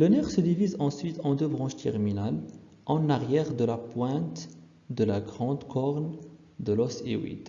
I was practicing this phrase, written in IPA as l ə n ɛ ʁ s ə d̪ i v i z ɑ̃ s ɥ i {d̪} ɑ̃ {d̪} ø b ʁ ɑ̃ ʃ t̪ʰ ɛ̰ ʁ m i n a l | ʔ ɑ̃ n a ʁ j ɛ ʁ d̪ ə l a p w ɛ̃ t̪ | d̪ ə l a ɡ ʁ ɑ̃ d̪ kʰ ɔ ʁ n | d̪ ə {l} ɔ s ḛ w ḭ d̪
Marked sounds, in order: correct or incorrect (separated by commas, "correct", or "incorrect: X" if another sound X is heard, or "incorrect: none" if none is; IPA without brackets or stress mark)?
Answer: incorrect: t̪, correct, correct